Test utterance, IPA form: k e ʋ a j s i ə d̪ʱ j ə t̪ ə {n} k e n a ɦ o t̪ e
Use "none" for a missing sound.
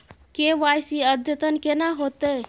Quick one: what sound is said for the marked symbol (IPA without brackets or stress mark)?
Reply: n